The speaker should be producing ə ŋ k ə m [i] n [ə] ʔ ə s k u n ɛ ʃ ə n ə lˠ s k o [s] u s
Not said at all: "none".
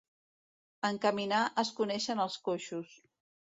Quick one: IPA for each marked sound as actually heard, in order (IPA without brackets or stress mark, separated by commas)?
i, a, ʃ